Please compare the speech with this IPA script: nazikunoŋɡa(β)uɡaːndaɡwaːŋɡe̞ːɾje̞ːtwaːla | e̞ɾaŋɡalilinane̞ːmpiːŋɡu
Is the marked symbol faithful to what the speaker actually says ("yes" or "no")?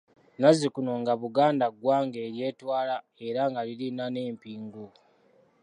yes